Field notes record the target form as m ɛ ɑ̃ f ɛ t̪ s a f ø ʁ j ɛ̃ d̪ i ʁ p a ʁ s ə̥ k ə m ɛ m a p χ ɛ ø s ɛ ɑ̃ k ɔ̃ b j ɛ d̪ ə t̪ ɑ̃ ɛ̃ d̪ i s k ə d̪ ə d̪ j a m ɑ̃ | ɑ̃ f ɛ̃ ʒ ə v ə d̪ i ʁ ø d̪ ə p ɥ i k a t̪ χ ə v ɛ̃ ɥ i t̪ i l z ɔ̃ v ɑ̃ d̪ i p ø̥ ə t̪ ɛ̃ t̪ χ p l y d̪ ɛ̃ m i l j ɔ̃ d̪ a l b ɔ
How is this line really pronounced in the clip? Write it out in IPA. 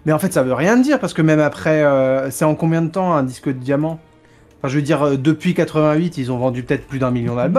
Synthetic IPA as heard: m ɛ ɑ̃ f ɛ t̪ s a v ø ʁ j ɛ̃ d̪ i ʁ p a ʁ s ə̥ k ə m ɛ m a p χ ɛ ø s ɛ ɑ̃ k ɔ̃ b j ɛ̃ d̪ ə t̪ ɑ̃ ɛ̃ d̪ i s k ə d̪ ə d̪ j a m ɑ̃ | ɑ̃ f ɛ̃ ʒ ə v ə d̪ i ʁ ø d̪ ə p ɥ i k a t̪ χ ə v ɛ̃ ɥ i t̪ i l z ɔ̃ v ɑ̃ d̪ y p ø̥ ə t̪ ɛ t̪ χ p l y d̪ ɛ̃ m i l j ɔ̃ d̪ a l b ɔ